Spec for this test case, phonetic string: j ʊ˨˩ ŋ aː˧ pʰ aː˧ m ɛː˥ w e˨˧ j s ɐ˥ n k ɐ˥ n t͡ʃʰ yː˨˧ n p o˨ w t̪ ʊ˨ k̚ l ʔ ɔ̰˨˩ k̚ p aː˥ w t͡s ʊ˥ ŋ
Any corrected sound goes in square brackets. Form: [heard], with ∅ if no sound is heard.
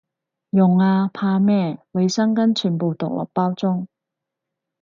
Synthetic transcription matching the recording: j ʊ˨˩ ŋ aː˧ pʰ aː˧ m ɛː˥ w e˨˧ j s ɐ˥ [ŋ] k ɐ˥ n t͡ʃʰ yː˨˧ n p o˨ w t̪ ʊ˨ k̚ l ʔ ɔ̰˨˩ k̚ p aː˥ w t͡s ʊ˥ ŋ